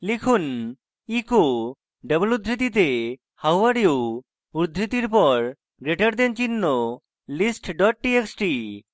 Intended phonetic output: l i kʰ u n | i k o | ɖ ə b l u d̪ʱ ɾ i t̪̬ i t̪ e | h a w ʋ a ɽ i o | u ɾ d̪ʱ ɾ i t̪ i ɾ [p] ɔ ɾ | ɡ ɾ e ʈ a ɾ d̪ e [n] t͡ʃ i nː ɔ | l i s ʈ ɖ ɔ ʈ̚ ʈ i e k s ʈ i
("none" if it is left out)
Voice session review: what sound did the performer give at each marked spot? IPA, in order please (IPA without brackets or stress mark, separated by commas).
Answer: p, n